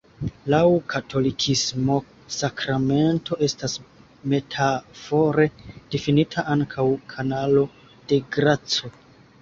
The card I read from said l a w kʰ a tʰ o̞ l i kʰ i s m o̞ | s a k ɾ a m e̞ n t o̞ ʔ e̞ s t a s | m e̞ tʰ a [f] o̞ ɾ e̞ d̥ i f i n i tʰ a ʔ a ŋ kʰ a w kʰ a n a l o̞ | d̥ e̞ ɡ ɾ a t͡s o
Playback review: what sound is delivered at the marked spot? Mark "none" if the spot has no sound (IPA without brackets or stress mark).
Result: f